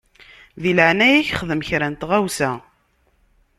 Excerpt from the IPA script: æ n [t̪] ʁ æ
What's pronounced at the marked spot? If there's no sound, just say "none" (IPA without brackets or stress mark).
t̪